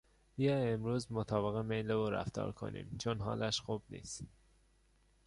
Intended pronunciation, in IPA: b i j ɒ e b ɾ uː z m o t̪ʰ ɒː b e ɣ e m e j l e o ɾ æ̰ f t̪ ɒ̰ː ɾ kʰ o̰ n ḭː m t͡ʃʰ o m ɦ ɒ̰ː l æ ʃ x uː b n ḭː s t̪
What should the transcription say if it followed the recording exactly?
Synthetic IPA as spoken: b i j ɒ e m ɾ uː z m o t̪ʰ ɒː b e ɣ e m e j l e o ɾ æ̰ f t̪ ɒ̰ː ɾ kʰ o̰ n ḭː m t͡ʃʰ o n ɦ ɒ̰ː l æ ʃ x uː b n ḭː s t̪